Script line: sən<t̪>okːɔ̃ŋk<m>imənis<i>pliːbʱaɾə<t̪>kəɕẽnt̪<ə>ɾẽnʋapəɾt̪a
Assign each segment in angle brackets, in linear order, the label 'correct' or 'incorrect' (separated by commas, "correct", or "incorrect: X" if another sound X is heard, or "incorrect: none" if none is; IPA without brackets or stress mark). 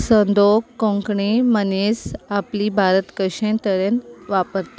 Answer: incorrect: d̪, incorrect: ɳ, incorrect: a, correct, correct